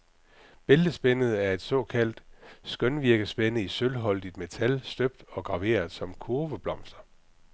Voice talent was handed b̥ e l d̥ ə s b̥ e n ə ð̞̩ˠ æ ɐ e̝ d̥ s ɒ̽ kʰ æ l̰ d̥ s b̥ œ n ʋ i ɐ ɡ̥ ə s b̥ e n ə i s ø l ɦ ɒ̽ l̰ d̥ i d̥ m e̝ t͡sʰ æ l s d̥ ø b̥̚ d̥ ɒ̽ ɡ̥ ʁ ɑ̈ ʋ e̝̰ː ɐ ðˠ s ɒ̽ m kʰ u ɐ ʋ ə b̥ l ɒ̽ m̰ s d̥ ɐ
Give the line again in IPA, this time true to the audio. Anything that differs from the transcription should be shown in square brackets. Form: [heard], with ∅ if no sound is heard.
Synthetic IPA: b̥ e l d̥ ə s b̥ e n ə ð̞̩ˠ æ ɐ e̝ d̥ s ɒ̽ kʰ æ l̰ d̥ s [ɡ̥] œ n ʋ i ɐ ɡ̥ ə s b̥ e n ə i s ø l ɦ ɒ̽ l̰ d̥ i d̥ m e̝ t͡sʰ æ l s d̥ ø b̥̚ d̥ ɒ̽ ɡ̥ ʁ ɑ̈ ʋ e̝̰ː ɐ ðˠ s ɒ̽ m kʰ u ɐ ʋ ə b̥ l ɒ̽ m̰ s d̥ ɐ